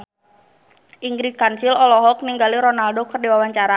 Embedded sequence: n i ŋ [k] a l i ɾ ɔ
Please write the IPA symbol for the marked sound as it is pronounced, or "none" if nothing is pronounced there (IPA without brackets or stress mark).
ɡ